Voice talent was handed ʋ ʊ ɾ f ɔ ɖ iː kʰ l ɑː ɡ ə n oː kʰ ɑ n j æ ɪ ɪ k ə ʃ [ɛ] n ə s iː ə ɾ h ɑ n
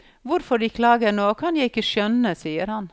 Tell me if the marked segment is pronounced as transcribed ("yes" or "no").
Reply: no